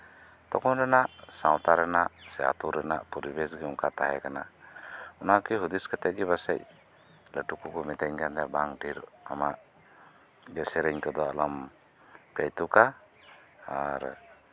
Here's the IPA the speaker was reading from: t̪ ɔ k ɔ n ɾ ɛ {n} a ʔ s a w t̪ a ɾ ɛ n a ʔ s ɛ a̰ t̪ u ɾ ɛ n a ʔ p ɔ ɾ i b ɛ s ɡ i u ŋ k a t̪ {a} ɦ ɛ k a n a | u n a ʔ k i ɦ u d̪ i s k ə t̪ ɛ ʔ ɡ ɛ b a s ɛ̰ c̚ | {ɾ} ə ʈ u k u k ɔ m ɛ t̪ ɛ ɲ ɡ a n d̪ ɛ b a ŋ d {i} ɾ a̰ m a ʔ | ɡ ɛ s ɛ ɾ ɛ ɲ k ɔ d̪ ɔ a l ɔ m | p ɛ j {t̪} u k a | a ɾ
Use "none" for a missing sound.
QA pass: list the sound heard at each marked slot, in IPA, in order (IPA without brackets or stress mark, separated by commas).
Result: n, a, l, i, t̪